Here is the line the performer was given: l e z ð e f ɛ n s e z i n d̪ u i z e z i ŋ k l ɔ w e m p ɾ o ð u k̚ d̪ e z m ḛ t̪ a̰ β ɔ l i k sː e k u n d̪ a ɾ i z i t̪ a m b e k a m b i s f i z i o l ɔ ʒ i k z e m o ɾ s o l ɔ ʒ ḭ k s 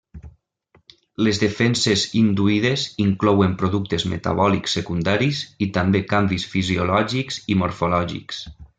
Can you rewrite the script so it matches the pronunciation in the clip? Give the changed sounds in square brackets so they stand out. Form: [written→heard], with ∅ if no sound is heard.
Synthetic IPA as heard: l e z ð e f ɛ n s e z i n d̪ u i [z→ð] e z i ŋ k l ɔ w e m p ɾ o ð u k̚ [d̪→t̪] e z m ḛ t̪ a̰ β ɔ l i k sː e k u n d̪ a ɾ i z i t̪ a m b e k a m b i s f i z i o l ɔ ʒ i k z [e→i] m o ɾ [s→f] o l ɔ ʒ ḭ k s